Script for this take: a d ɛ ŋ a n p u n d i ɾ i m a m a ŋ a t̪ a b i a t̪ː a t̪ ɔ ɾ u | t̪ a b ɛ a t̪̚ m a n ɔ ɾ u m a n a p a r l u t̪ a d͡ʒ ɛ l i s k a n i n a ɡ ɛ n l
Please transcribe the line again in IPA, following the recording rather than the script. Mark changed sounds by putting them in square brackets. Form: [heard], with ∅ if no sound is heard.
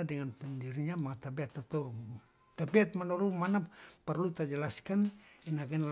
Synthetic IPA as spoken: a d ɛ ŋ a n p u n d i ɾ i [ɲ] a m a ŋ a t̪ a b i a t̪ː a t̪ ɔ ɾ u | t̪ a b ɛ a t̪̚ m a n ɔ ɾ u m a n a p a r l u t̪ a d͡ʒ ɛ l [a] s k a n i n a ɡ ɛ n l